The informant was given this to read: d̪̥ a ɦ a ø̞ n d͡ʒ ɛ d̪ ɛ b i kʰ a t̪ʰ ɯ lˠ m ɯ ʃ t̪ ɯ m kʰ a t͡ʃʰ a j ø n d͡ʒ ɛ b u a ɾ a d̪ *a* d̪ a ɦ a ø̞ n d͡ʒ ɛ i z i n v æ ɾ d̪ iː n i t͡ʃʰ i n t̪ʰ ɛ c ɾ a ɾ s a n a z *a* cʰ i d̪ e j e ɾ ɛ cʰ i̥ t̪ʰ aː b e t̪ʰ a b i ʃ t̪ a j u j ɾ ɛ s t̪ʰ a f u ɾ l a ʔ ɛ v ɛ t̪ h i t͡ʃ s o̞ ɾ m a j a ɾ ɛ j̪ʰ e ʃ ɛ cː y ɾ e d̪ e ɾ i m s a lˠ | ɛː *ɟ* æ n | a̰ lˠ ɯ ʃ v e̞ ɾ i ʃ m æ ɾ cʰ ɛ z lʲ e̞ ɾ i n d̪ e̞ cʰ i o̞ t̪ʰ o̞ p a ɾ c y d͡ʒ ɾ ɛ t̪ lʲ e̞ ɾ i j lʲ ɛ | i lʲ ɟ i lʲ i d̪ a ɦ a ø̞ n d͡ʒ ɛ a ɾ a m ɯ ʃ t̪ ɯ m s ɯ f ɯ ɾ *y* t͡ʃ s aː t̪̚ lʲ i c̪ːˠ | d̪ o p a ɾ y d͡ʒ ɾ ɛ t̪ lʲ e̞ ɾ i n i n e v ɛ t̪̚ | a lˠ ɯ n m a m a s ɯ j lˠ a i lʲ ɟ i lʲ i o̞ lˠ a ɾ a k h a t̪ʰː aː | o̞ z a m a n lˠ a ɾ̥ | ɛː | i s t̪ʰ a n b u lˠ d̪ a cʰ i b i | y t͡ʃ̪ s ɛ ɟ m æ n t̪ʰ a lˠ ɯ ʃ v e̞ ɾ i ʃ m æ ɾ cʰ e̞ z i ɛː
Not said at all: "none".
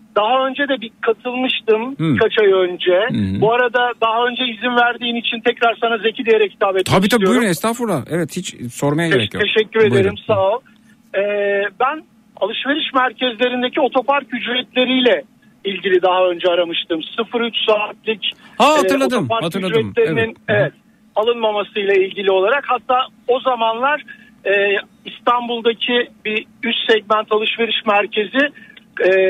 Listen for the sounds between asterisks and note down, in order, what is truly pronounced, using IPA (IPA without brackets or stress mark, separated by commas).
a, e, b, y